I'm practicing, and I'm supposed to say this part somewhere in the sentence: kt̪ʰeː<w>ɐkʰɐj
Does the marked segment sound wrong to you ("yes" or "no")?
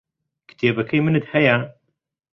yes